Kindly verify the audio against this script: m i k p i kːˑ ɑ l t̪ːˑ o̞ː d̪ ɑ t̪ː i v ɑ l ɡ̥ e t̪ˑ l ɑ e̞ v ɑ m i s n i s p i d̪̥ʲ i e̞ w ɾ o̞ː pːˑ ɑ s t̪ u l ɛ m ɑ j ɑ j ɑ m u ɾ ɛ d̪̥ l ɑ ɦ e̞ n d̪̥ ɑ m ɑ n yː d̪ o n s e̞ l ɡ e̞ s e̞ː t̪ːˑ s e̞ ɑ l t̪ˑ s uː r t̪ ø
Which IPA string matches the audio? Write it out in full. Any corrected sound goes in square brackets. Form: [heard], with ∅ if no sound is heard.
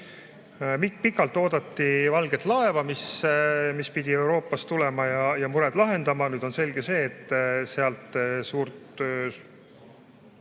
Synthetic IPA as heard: m i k p i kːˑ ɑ l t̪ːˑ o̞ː d̪ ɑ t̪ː i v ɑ l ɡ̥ e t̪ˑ l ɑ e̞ v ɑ m i s [m] i s p i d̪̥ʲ i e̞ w ɾ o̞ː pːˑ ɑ s t̪ u l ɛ m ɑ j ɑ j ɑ m u ɾ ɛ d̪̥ l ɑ ɦ e̞ n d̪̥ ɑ m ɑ n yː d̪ o n s e̞ l ɡ e̞ s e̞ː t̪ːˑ s e̞ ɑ l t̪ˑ s uː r t̪ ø